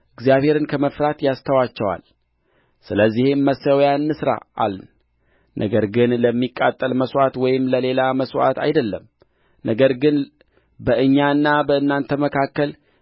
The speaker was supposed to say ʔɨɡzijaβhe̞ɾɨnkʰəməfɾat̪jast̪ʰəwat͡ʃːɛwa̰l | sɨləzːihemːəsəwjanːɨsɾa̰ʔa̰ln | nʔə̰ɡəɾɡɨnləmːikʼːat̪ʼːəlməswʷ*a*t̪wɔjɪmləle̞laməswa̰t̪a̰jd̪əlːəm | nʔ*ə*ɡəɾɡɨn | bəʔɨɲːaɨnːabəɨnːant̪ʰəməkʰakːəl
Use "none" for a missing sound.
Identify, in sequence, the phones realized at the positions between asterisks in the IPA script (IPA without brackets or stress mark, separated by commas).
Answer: a, ə